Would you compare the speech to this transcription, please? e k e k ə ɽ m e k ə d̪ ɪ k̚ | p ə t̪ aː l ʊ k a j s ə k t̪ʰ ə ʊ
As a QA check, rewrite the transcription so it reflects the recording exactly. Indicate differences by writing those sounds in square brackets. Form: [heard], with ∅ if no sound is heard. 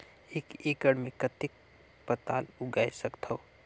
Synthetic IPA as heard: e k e k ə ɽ m e k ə [t̪] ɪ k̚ | p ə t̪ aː l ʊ [ɡ] a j s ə k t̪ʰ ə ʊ